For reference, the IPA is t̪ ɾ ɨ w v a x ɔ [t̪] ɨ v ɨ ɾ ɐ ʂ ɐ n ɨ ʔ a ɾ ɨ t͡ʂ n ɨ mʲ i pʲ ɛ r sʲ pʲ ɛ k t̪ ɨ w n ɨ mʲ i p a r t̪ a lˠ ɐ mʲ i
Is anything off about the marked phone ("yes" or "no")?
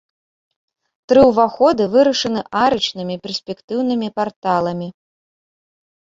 yes